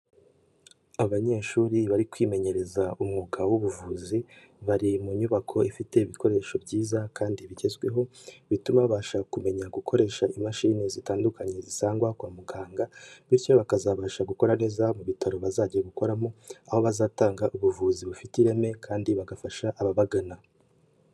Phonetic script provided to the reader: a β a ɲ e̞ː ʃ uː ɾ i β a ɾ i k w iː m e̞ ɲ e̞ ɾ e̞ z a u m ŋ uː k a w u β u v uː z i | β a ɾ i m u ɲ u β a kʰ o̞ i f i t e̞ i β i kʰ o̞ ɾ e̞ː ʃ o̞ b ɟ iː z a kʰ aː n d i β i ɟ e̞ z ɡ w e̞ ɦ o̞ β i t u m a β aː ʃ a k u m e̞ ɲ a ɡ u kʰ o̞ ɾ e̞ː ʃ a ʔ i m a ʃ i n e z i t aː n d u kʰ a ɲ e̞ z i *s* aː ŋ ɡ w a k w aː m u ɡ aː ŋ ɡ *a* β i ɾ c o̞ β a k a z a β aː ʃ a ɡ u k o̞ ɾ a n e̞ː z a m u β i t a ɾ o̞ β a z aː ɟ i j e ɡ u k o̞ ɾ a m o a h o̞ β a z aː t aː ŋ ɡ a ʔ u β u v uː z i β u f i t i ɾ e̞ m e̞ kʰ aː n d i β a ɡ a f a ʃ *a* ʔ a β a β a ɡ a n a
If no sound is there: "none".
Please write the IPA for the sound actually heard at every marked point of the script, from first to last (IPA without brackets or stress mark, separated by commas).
s, a, a